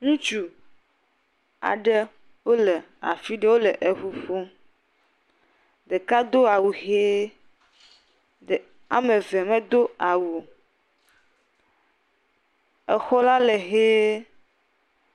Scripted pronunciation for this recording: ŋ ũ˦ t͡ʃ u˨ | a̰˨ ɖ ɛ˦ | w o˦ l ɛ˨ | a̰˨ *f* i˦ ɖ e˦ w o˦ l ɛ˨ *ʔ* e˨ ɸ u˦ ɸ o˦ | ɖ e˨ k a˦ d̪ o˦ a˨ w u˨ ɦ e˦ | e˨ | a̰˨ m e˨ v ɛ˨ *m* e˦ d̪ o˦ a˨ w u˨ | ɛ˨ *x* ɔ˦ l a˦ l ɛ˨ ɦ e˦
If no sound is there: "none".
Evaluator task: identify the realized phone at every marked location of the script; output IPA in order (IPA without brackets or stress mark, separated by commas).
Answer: f, ʔ, m, x